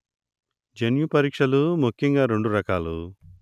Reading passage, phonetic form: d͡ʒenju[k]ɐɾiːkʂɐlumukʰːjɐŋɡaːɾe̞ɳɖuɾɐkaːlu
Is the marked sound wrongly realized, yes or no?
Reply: yes